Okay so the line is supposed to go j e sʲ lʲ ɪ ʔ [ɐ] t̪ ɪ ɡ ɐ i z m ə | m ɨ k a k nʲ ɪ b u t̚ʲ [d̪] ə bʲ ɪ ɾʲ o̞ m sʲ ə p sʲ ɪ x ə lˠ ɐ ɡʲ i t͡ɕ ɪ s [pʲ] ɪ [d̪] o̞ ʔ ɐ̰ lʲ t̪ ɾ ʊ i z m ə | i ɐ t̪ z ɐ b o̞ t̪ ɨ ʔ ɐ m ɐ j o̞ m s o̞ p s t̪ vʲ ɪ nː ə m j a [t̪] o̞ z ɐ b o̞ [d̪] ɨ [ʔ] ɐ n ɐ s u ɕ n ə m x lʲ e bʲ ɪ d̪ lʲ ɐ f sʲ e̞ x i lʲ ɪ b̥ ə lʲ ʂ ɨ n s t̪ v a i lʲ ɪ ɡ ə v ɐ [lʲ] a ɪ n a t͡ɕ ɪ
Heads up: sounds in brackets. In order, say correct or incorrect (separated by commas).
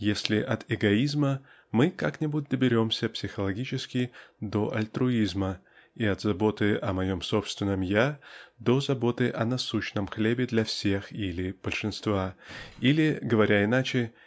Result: correct, correct, incorrect, correct, incorrect, incorrect, correct, incorrect